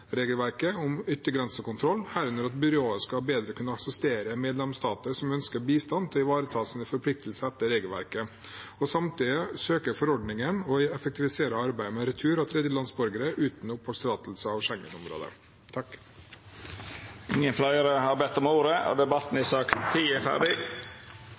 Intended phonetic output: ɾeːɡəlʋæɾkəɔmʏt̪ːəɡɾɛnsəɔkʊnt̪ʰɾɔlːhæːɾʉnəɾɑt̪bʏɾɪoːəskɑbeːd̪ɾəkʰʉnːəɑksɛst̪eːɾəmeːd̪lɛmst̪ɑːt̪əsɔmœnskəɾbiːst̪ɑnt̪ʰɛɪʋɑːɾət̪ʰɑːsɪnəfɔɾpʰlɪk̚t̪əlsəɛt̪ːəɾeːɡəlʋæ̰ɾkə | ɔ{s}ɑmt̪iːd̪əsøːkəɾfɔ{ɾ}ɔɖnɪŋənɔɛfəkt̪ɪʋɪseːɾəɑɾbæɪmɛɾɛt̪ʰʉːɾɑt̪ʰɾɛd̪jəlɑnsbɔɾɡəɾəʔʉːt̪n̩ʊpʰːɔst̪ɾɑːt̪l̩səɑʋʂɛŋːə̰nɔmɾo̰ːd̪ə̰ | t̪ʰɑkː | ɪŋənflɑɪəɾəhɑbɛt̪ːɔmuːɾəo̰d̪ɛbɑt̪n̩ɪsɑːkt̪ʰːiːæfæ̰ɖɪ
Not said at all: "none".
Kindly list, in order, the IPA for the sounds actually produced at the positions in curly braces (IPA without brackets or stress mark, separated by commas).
s, ɾ